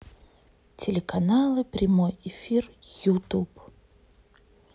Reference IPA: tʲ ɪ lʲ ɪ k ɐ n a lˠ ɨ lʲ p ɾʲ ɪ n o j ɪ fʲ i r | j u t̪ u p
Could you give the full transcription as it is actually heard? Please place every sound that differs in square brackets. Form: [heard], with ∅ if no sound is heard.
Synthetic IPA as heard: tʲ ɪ lʲ ɪ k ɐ n a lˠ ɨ [∅] p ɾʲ ɪ [m] o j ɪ fʲ i r | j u t̪ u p